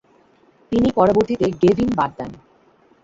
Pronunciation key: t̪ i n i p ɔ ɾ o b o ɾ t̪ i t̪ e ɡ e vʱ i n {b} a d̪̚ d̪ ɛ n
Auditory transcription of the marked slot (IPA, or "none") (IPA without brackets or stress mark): b